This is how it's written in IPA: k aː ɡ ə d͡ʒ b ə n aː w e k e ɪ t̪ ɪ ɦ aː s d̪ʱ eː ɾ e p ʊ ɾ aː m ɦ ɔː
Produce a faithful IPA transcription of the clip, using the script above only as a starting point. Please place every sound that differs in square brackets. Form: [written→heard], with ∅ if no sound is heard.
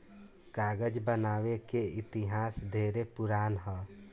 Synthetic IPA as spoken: k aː ɡ ə d͡ʒ b ə n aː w e k e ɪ t̪ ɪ ɦ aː s d̪ʱ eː ɾ e p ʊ ɾ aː [m→n] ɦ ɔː